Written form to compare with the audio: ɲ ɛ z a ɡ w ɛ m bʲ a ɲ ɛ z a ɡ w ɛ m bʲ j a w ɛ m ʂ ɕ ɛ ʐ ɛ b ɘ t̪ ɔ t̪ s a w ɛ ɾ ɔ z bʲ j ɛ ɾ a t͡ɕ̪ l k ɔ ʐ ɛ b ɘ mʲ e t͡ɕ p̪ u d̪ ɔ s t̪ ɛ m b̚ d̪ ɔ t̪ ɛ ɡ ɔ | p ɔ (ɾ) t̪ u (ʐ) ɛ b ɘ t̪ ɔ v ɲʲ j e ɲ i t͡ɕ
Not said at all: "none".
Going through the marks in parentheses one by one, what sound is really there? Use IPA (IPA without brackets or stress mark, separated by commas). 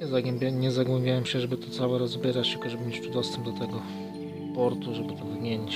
ɾ, ʐ